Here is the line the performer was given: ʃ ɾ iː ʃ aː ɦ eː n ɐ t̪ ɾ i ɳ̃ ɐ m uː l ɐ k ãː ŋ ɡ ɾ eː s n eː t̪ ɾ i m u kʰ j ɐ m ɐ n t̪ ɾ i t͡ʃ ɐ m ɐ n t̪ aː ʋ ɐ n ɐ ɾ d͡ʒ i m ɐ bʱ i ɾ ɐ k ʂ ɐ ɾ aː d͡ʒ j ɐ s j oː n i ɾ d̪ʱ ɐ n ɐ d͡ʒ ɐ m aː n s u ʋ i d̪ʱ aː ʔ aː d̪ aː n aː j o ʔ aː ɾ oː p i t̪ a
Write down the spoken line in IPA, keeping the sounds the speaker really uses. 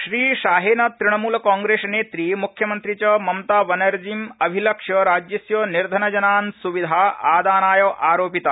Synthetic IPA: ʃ ɾ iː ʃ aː ɦ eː n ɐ t̪ ɾ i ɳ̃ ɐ m uː l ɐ k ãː ŋ ɡ ɾ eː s n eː t̪ ɾ i m u kʰ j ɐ m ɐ n t̪ ɾ i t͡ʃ ɐ m ɐ m t̪ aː ʋ ɐ n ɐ ɾ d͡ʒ i m ɐ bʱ i l ɐ k ʂ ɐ ɾ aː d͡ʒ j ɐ s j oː n i ɾ d̪ʱ ɐ n ɐ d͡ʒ ɐ n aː n s u ʋ i d̪ʱ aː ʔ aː d̪ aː n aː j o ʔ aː ɾ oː p i t̪ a